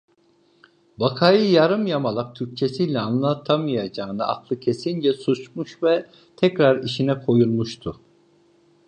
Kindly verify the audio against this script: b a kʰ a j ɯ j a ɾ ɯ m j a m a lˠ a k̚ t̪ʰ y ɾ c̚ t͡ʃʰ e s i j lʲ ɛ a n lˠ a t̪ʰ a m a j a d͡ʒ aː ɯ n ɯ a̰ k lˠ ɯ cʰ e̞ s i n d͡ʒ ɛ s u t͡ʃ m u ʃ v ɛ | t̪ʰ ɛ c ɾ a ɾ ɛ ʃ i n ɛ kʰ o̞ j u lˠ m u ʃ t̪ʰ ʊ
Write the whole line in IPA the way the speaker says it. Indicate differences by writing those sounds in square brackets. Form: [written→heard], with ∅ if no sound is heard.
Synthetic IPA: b a kʰ a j ɯ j a ɾ ɯ m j a m a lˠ a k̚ t̪ʰ y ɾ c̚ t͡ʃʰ e s i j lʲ ɛ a n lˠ a t̪ʰ a m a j a d͡ʒ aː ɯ n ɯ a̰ k lˠ ɯ cʰ e̞ s i n d͡ʒ ɛ s u t͡ʃ m u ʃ v ɛ | t̪ʰ ɛ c ɾ a ɾ [ɛ→i] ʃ i n ɛ kʰ o̞ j u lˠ m u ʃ t̪ʰ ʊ